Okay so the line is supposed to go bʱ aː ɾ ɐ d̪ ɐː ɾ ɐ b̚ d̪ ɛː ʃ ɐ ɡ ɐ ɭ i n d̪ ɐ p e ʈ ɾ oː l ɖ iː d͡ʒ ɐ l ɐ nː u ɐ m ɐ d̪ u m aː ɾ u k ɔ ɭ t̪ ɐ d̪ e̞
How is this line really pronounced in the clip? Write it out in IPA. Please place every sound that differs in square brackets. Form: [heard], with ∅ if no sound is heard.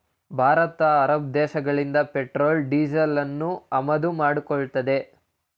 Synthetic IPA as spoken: bʱ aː ɾ ɐ [t̪] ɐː ɾ ɐ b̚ d̪ ɛː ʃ ɐ ɡ ɐ ɭ i n d̪ ɐ p e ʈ ɾ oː l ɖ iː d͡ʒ ɐ l ɐ nː u ɐ m ɐ d̪ u m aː [ɽ] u k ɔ ɭ t̪ ɐ d̪ e̞